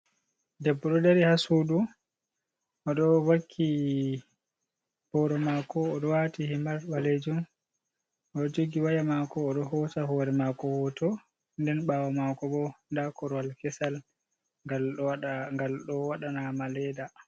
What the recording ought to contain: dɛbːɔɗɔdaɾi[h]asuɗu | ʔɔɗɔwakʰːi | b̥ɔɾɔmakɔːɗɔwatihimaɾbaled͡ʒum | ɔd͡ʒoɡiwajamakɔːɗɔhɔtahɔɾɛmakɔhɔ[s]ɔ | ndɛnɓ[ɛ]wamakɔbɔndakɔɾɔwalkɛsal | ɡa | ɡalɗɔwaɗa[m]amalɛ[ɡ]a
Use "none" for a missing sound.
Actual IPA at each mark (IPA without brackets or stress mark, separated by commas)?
h, t, a, n, d